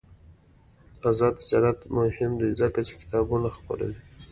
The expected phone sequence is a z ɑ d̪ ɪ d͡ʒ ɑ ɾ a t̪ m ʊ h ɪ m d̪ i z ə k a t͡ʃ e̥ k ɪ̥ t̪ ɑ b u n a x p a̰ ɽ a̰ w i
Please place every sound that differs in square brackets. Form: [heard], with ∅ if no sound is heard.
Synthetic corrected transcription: a z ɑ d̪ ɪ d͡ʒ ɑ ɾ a t̪ m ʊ h ɪ m d̪ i z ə k a t͡ʃ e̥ k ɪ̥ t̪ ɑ b u n a x p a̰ [ɾ] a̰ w i